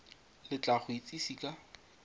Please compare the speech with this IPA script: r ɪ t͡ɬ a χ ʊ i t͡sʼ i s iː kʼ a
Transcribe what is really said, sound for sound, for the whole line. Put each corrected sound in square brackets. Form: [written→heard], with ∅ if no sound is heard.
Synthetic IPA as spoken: [r→l] ɪ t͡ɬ a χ ʊ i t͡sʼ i s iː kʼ a